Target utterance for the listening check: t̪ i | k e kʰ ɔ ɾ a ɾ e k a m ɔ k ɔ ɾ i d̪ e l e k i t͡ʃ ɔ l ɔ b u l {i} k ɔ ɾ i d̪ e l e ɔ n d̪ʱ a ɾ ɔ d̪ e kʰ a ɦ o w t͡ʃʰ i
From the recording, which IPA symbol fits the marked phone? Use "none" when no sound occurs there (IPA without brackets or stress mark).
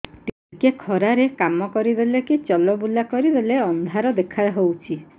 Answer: a